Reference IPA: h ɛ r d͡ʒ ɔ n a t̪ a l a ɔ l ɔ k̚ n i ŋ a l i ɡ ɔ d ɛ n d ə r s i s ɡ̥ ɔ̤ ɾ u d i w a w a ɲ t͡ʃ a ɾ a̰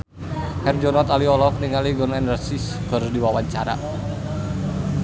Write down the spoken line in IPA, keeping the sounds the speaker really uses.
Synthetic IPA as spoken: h ɛ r d͡ʒ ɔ n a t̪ a l i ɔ l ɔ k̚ n i ŋ a l i ɡ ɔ n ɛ n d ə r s i s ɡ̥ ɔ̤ ɾ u d i w a w a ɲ t͡ʃ a ɾ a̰